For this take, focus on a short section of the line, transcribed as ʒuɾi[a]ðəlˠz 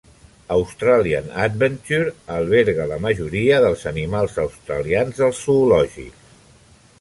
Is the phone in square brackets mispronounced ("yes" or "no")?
yes